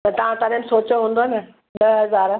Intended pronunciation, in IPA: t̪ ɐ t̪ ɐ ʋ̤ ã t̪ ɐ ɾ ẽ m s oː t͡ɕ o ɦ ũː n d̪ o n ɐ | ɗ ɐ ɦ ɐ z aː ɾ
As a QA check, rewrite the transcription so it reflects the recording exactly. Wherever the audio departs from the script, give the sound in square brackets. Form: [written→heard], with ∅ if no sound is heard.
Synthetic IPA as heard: t̪ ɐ t̪ ɐ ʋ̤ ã t̪ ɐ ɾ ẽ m s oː t͡ɕ o ɦ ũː n d̪ o n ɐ | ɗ ɐ ɦ ɐ z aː ɾ